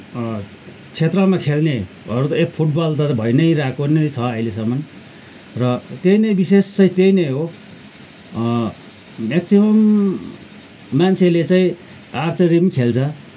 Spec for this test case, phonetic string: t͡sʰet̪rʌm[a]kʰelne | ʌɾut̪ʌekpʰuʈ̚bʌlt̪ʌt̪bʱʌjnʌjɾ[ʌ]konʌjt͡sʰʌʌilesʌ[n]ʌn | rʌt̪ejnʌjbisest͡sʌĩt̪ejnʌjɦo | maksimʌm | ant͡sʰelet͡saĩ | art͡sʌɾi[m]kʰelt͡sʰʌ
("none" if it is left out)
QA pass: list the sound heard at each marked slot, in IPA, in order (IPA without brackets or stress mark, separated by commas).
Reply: a, a, m, m